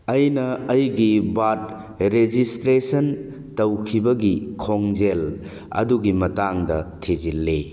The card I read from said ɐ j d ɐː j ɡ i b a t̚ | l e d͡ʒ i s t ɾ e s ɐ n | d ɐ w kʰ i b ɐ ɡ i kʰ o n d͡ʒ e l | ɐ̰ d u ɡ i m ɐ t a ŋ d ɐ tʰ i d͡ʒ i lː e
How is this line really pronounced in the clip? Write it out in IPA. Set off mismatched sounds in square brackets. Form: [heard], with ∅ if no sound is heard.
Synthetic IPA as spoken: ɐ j [n] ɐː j ɡ i b a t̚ | [ɾ] e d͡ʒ i s t ɾ e s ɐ n | [t] ɐ w kʰ i b ɐ ɡ i kʰ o [ŋ] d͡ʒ e l | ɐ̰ d u ɡ i m ɐ t a ŋ d ɐ tʰ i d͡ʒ i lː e

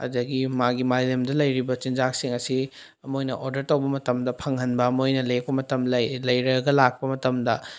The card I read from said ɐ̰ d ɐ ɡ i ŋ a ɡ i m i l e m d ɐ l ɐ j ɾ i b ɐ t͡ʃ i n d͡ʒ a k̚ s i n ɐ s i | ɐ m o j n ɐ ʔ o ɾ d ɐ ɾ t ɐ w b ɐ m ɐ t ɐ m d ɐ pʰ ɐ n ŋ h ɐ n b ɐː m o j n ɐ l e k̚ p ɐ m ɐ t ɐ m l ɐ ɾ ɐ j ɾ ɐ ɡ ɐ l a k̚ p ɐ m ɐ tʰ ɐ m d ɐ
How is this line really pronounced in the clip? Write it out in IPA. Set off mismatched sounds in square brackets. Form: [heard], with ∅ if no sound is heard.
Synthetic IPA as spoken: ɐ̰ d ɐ ɡ i [m] a ɡ i m [a] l e m d ɐ l ɐ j ɾ i b ɐ t͡ʃ i n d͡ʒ a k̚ s i [ŋ] ɐ s i | ɐ m o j n ɐ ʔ o ɾ d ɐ ɾ t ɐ w b ɐ m ɐ t ɐ m d ɐ pʰ ɐ [∅] ŋ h ɐ n b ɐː m o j n ɐ l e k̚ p ɐ m ɐ t ɐ m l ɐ [l] ɐ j ɾ ɐ ɡ ɐ l a k̚ p ɐ m ɐ [t] ɐ m d ɐ

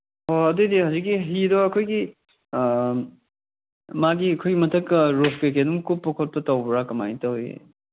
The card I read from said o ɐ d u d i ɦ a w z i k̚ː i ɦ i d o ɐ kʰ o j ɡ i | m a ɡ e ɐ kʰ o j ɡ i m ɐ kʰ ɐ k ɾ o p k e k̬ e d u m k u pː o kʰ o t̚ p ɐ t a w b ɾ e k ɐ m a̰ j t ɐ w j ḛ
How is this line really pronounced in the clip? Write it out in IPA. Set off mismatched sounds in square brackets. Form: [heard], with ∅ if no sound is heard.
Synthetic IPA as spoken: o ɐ d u d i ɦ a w z i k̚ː i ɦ i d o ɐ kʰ o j ɡ i | m a ɡ [i] ɐ kʰ o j ɡ i m ɐ [tʰ] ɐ k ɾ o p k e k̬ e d u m k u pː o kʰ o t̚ p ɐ t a w b ɾ [a] k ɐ m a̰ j t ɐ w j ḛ

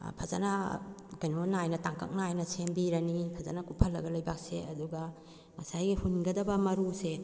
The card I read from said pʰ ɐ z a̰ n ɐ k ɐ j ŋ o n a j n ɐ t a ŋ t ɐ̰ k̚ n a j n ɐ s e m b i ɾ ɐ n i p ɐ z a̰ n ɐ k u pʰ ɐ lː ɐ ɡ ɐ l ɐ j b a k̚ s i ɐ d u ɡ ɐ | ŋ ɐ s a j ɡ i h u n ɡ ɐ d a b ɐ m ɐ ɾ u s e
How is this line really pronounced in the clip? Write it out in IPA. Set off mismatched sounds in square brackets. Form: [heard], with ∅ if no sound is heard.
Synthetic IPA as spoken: pʰ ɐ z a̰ n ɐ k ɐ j [n] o n a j n ɐ t a ŋ [k] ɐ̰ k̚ n a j n ɐ s e m b i ɾ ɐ n i [pʰ] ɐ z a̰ n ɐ k u pʰ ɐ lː ɐ ɡ ɐ l ɐ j b a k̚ s [e] ɐ d u ɡ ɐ | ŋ ɐ s a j ɡ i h u n ɡ ɐ d [ɐ] b ɐ m ɐ ɾ u s e

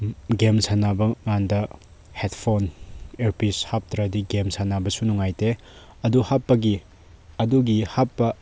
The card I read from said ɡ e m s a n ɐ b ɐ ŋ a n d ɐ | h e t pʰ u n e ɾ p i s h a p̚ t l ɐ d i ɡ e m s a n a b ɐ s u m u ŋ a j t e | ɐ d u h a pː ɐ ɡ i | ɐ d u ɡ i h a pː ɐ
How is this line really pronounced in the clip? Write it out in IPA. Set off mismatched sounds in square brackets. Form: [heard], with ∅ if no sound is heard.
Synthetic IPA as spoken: ɡ e m s a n [a] b ɐ ŋ a n d ɐ | h e t pʰ [o] n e ɾ p i s h a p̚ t [ɾ] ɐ d i ɡ e m s a n a b ɐ s u [n] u ŋ a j t e | ɐ d u h a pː ɐ ɡ i | ɐ d u ɡ i h a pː ɐ

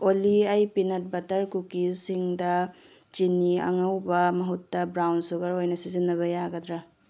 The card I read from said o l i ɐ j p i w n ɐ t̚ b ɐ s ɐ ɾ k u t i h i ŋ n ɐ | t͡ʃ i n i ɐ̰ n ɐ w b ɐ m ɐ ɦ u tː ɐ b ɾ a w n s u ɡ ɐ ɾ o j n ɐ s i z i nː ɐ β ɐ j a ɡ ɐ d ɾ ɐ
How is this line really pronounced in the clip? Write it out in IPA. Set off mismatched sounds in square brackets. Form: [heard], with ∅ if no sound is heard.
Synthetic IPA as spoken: o l i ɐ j p i [∅] n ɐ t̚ b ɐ [t] ɐ ɾ k u [k] i [s] i ŋ [d] ɐ | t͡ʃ i n i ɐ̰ [ŋ] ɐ w b ɐ m ɐ ɦ u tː ɐ b ɾ a w n s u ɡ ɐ ɾ o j n ɐ s i z i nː ɐ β ɐ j a ɡ ɐ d ɾ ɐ

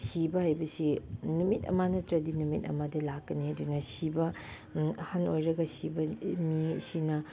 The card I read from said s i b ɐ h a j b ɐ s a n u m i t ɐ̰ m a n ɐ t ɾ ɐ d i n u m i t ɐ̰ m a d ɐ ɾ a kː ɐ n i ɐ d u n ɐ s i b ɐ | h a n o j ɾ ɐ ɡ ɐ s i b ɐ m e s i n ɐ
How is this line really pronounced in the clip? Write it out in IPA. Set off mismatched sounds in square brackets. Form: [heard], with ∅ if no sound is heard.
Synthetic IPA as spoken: s i b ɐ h a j b ɐ s [i] n u m i t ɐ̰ m a n ɐ t ɾ ɐ d i n u m i t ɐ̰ m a d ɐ [l] a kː ɐ n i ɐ d u n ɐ s i b ɐ | h a n o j ɾ ɐ ɡ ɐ s i b ɐ m [i] s i n ɐ

